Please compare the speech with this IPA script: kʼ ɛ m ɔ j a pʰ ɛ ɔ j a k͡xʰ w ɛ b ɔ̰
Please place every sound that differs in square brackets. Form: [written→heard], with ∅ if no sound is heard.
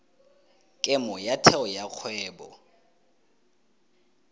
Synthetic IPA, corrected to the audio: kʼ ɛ m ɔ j a [pʰ→tʰ] ɛ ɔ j a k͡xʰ w [ɛ→ɛː] b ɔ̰